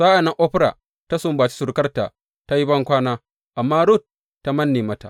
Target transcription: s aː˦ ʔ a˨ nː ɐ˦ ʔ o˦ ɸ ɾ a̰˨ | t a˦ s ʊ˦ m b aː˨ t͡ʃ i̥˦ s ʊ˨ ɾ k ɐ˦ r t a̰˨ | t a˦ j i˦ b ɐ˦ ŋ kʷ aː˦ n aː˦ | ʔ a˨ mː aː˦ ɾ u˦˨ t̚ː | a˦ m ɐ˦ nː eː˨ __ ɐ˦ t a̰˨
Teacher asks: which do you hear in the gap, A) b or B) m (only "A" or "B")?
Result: B